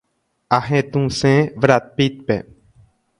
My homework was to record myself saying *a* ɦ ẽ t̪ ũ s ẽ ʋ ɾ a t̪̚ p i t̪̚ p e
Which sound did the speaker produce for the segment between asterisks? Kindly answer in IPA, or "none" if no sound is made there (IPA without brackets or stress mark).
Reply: a